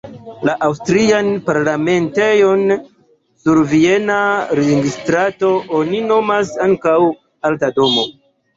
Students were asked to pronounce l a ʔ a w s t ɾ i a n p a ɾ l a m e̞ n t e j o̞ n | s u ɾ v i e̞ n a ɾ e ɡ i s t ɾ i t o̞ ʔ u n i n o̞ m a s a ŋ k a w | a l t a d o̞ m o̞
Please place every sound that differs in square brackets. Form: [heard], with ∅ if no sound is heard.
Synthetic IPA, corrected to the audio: l a ʔ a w s t ɾ i a n p a ɾ l a m e̞ n t e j o̞ n | s u ɾ v i e̞ n a ɾ e ɡ i s t ɾ [a] t o̞ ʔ [o] n i n o̞ m a s a ŋ k a w | a l t a d o̞ m o̞